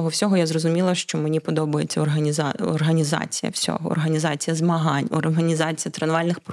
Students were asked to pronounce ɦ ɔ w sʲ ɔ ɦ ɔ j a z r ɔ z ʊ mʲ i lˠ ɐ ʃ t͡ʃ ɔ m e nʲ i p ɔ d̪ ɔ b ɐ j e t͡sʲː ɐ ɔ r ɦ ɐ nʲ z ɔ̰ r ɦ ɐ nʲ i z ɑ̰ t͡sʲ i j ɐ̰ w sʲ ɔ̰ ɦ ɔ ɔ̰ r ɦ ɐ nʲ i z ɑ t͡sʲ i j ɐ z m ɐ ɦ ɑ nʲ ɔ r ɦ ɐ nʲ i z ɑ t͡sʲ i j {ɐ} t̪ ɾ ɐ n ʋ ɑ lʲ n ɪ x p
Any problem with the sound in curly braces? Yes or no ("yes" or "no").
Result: no